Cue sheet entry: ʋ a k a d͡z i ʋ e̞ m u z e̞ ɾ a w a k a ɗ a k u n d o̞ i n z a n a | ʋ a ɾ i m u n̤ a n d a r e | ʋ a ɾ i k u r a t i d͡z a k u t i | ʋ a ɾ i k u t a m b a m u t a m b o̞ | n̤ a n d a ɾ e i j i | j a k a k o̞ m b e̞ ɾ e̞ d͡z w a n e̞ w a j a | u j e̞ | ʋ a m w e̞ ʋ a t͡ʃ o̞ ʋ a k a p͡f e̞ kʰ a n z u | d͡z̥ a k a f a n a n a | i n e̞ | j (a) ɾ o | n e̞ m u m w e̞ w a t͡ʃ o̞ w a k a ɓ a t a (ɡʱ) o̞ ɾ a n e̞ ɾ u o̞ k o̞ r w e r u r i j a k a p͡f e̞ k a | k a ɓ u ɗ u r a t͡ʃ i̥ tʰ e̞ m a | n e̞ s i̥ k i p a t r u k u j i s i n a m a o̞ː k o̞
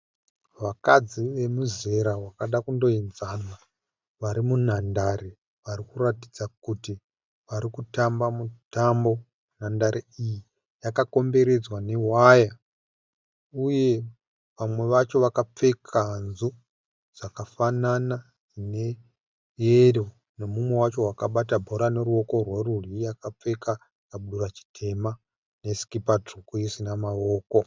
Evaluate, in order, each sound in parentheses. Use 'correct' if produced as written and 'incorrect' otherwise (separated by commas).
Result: incorrect, incorrect